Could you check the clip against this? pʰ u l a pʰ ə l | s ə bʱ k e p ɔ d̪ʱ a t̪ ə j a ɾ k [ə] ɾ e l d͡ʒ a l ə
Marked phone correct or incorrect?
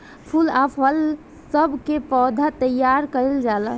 correct